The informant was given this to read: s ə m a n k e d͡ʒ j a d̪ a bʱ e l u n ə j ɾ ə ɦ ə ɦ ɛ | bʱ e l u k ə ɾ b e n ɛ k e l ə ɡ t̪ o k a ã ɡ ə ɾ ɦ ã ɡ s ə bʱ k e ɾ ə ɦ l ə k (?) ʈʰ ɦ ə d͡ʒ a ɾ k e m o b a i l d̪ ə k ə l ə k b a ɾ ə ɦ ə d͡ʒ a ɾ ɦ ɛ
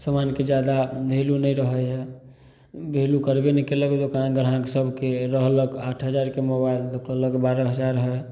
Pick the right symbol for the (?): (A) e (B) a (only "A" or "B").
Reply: B